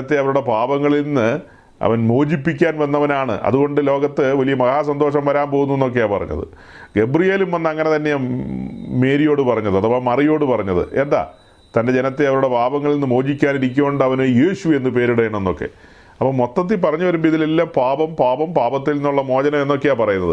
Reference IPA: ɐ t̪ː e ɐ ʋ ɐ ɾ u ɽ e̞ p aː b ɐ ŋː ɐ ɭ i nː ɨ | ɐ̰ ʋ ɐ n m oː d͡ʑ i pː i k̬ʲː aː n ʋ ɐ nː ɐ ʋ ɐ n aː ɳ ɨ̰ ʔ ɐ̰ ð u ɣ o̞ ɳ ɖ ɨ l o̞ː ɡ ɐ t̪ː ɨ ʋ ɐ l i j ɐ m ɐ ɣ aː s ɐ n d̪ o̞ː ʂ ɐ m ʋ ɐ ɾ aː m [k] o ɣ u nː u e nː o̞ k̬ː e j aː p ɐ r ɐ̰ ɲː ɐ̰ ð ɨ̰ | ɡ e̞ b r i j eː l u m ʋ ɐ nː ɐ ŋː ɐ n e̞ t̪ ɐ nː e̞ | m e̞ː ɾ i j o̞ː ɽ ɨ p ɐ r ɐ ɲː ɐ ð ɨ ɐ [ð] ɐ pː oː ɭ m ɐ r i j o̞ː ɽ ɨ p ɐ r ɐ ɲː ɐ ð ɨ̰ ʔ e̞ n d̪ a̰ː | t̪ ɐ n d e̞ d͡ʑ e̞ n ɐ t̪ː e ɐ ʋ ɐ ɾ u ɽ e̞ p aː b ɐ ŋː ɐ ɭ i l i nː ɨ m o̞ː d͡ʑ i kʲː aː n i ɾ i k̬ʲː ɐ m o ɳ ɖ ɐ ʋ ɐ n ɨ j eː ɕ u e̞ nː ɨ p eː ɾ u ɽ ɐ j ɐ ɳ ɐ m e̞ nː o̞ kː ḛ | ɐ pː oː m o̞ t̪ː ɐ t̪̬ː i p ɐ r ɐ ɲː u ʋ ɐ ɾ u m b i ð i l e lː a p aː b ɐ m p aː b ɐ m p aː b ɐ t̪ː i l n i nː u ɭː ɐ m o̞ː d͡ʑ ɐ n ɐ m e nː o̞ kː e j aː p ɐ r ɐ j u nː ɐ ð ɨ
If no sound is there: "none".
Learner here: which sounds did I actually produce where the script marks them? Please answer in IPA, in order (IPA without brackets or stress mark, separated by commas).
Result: p, ð